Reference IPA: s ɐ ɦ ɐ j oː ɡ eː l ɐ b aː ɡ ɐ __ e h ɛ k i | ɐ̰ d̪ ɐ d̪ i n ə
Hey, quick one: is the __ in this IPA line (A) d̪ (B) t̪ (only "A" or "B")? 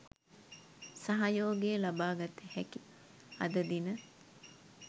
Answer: B